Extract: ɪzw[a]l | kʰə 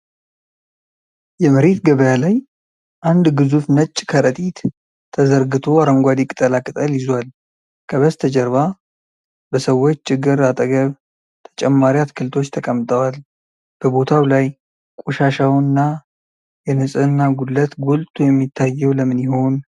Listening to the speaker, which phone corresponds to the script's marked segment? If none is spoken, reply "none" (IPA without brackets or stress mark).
a